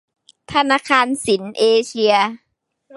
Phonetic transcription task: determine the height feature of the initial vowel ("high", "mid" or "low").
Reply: low